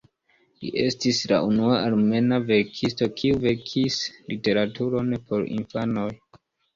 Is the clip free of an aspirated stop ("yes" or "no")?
no